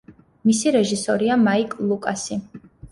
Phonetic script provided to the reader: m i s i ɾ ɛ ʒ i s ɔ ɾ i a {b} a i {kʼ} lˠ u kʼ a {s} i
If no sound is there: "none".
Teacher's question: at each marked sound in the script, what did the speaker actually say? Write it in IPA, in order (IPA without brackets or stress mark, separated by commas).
m, kʼ, s